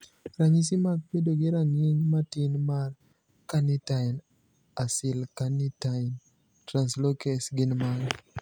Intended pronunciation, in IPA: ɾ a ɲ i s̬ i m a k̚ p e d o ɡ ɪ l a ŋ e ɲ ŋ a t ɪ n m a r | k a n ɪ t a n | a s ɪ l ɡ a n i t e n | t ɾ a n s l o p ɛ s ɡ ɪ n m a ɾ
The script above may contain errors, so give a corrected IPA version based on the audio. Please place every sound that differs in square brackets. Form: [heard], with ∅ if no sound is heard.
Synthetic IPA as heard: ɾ a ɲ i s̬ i m a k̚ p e d o ɡ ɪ [ɾ] a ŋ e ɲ [m] a t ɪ n m a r | k a n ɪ t a n | a s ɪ l [k] a n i t [a] n | t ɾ a n s l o [k] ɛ s ɡ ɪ n m a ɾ